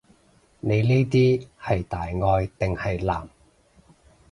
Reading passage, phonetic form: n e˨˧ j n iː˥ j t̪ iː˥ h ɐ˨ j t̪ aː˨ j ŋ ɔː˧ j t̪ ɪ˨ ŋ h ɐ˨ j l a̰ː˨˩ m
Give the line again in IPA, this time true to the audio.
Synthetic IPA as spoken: n e˨˧ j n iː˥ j t̪ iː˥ h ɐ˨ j t̪ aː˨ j ŋ ɔː˧ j t̪ ɪ˨ ŋ h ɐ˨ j l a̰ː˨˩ m